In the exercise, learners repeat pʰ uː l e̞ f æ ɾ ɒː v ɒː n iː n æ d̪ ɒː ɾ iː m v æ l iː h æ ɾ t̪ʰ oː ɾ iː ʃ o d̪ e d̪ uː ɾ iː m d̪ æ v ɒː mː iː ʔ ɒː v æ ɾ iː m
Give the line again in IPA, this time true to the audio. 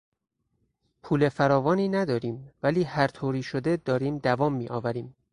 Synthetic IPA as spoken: pʰ uː l e̞ f æ ɾ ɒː v ɒː n iː n æ d̪ ɒː ɾ iː m v æ l iː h æ ɾ t̪ʰ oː ɾ iː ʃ o d̪ e d̪ ɒː ɾ iː m d̪ æ v ɒː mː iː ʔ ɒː v æ ɾ iː m